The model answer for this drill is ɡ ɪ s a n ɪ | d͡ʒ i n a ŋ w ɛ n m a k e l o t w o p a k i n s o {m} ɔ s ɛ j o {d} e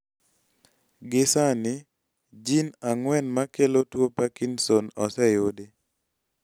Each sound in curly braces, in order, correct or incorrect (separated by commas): incorrect, correct